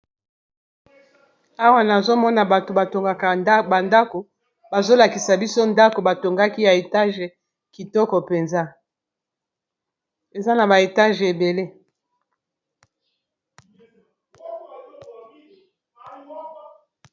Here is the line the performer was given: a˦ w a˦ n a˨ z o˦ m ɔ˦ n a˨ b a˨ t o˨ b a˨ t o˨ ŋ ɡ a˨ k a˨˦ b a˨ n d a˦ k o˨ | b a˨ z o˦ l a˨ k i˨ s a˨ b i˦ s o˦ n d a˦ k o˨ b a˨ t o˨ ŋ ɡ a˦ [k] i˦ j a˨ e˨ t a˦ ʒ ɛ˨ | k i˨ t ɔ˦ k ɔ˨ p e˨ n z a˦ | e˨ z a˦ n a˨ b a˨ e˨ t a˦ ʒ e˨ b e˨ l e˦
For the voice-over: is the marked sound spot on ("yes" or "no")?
yes